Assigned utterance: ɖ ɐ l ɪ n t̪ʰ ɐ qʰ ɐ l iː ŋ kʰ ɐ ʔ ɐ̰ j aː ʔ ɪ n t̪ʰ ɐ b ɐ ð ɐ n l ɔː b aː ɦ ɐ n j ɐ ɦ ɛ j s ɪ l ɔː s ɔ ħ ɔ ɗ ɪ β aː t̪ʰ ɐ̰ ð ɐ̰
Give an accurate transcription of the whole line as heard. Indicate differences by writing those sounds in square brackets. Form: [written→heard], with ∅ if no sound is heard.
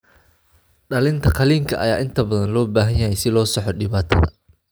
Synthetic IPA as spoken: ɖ ɐ l ɪ n t̪ʰ ɐ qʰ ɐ l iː ŋ kʰ ɐ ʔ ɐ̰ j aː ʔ ɪ n t̪ʰ ɐ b ɐ ð ɐ n l ɔː b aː ɦ ɐ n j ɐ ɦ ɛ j s ɪ l ɔː s ɔ ħ ɔ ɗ ɪ β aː t̪ʰ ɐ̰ ð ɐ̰